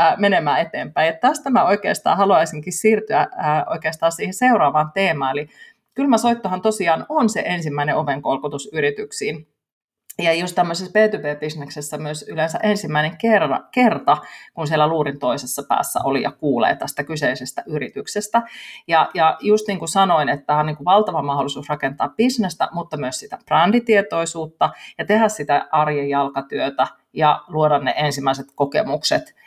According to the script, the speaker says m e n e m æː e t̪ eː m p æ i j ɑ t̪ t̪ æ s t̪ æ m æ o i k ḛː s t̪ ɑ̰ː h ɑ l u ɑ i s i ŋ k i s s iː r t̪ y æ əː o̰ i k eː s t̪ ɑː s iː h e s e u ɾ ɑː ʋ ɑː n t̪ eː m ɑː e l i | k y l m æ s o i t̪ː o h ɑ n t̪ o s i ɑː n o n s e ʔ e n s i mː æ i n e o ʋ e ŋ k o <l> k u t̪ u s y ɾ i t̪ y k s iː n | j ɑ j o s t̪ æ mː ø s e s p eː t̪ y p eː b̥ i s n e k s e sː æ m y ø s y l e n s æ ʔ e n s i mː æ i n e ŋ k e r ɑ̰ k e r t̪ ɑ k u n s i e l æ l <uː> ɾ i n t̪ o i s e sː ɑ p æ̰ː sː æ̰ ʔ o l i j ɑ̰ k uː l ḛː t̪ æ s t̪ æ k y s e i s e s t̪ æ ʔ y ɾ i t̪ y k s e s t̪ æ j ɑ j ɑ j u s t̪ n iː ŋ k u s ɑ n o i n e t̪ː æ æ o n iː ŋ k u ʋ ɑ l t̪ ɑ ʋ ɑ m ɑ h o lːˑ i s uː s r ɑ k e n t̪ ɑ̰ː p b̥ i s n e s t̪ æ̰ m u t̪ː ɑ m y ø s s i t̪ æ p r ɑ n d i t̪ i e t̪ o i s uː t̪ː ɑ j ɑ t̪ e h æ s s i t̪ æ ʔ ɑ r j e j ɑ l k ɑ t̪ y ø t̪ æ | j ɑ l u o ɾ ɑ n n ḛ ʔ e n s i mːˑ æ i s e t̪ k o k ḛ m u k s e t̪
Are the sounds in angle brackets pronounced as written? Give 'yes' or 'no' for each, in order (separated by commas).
yes, yes